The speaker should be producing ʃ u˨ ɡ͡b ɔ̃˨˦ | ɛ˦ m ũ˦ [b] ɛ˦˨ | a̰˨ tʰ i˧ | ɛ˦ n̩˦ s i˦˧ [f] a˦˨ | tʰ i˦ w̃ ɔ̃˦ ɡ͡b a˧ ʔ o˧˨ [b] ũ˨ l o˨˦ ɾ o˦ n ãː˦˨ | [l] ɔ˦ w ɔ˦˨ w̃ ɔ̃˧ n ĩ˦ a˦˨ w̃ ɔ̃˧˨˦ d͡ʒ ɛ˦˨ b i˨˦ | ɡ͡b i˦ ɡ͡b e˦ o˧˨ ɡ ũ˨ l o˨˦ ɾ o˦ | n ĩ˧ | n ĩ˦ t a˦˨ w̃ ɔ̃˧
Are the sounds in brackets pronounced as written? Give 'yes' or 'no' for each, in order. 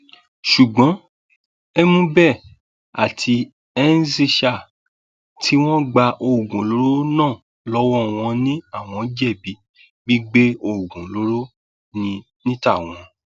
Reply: yes, no, no, yes

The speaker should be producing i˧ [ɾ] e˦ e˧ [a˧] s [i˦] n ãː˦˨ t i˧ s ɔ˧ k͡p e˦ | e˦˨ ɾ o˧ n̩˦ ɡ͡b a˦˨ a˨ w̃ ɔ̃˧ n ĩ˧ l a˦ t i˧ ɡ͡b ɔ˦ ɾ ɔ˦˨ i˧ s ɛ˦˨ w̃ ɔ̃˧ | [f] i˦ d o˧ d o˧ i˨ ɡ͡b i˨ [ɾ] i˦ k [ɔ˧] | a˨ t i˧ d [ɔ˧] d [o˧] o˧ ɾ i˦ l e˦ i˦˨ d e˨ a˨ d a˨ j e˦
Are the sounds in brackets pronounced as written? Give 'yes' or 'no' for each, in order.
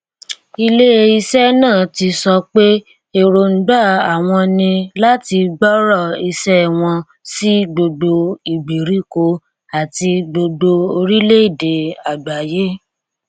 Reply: no, no, no, no, yes, no, no, yes

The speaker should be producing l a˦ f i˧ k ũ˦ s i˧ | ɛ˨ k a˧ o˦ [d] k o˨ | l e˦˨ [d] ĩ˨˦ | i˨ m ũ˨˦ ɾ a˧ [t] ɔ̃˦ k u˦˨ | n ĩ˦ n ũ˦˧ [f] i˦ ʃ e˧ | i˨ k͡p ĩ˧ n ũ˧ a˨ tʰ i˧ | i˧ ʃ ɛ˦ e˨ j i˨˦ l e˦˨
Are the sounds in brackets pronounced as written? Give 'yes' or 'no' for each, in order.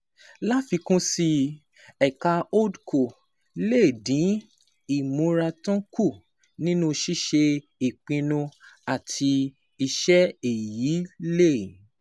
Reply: yes, yes, yes, no

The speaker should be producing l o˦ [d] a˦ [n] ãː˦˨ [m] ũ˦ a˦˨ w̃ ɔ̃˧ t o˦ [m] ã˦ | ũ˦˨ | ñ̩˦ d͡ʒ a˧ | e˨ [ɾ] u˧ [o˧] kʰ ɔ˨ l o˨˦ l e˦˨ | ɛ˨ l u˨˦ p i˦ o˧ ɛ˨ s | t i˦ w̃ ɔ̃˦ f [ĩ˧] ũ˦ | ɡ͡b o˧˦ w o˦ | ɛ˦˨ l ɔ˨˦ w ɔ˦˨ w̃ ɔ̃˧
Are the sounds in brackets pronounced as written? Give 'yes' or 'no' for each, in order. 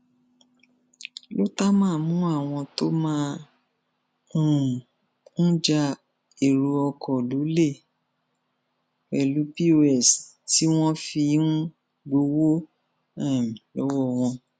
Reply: no, no, yes, yes, yes, no, no

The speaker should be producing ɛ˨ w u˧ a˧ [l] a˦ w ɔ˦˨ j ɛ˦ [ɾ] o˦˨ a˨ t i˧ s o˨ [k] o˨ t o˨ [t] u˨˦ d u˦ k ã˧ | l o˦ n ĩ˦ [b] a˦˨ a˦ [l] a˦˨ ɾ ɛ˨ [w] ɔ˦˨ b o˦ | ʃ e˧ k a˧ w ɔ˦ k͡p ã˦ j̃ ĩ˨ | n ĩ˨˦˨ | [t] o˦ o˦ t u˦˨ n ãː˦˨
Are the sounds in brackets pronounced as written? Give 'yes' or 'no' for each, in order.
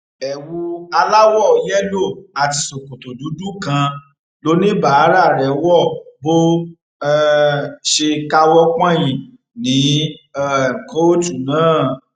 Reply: yes, no, yes, no, yes, no, yes, no

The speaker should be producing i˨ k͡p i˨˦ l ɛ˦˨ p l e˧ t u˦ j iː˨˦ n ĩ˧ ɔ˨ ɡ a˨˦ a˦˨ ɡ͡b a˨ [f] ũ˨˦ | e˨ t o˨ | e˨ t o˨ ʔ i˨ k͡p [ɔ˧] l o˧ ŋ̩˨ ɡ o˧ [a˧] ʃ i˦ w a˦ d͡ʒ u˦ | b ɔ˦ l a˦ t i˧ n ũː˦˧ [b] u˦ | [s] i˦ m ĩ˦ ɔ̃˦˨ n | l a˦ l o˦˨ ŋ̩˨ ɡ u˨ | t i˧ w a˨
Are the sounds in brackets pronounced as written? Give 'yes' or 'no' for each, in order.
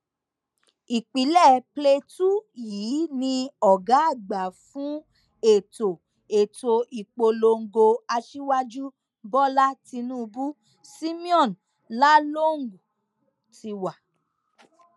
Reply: yes, no, yes, yes, yes

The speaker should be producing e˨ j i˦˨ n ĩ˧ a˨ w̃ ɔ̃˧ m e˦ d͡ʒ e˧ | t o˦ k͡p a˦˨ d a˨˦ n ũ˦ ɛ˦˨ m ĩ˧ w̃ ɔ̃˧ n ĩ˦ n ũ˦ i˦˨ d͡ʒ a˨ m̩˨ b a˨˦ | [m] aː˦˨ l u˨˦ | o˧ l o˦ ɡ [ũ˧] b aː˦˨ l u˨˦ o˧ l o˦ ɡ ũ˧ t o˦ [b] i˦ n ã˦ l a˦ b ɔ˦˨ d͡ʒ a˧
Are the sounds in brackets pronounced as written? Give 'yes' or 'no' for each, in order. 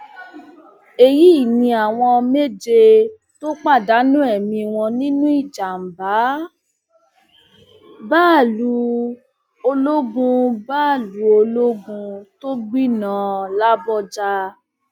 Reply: no, yes, no

